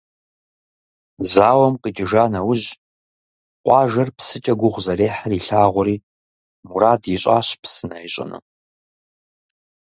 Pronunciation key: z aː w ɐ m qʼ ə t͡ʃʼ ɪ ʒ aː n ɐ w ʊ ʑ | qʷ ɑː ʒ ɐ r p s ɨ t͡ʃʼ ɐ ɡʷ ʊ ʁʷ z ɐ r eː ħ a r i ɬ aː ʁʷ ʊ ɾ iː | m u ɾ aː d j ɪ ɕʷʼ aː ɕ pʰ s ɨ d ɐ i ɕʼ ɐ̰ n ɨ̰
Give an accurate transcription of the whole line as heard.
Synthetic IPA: z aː w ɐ m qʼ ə t͡ʃʼ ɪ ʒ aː n ɐ w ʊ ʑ | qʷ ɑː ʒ ɐ r p s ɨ t͡ʃʼ ɐ ɡʷ ʊ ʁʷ z ɐ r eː ħ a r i ɬ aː ʁʷ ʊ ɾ iː | m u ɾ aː d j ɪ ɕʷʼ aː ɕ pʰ s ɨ n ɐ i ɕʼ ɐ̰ n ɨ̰